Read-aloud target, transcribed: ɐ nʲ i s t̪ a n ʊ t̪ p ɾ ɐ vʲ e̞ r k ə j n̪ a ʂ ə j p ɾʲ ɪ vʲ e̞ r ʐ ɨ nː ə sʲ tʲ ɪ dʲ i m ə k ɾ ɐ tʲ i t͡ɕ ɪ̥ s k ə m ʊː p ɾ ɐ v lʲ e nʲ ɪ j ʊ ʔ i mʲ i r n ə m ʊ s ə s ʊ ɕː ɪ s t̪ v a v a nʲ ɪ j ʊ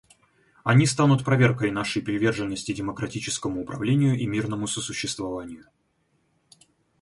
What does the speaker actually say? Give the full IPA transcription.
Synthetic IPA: ɐ nʲ i s t̪ a n ʊ t̪ p ɾ ɐ vʲ e̞ r k ə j n̪ a ʂ ə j p ɾʲ ɪ vʲ e̞ r ʐ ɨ nː ə sʲ tʲ ɪ dʲ ɪ m ə k ɾ ɐ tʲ i t͡ɕ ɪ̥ s k ə m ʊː p ɾ ɐ v lʲ e nʲ ɪ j ʊ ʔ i mʲ i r n ə m ʊ s ə s ʊ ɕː ɪ s t̪ v ɐ v a nʲ ɪ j ʊ

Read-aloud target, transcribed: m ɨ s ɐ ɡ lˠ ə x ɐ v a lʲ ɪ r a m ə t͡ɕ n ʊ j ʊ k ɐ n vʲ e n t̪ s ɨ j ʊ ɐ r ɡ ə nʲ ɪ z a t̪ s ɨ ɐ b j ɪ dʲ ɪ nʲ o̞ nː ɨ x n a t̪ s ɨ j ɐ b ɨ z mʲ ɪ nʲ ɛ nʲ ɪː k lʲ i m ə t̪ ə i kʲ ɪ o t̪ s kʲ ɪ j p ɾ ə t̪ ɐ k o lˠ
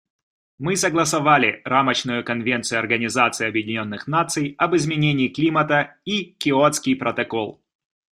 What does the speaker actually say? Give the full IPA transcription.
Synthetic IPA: m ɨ s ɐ ɡ lˠ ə s ɐ v a lʲ ɪ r a m ə t͡ɕ n ʊ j ʊ k ɐ n vʲ e n t̪ s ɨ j ʊ ɐ r ɡ ə nʲ ɪ z a t̪ s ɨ ɐ b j ɪ dʲ ɪ nʲ o̞ nː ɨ x n a t̪ s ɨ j ɐ b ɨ z mʲ ɪ nʲ e nʲ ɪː k lʲ i m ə t̪ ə i kʲ ɪ o t̪ s kʲ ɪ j p ɾ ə t̪ ɐ k o lˠ

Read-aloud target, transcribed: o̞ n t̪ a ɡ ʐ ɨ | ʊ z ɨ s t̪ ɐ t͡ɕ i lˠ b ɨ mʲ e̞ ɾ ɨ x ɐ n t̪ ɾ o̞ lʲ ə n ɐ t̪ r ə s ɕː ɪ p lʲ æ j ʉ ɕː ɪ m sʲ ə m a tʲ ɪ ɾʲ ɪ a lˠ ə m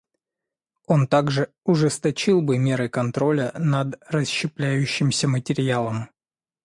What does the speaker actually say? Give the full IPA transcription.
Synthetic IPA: o̞ n t̪ a ɡ ʐ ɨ | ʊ ʐ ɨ s t̪ ɐ t͡ɕ i lˠ b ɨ mʲ e̞ ɾ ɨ k ɐ n t̪ ɾ o̞ lʲ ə n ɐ d̪ r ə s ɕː ɪ p lʲ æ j ʉ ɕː ɪ m sʲ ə m ə tʲ ɪ ɾʲ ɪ a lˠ ə m

